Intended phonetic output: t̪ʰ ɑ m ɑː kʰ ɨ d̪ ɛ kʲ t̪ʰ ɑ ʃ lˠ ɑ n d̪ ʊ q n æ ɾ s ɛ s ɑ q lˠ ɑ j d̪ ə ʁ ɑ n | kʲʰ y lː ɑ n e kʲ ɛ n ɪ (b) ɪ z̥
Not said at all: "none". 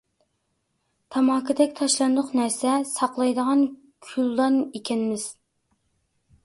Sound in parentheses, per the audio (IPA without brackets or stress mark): m